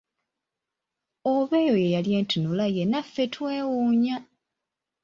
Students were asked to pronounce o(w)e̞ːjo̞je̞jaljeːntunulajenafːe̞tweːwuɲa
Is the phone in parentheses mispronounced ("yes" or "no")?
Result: yes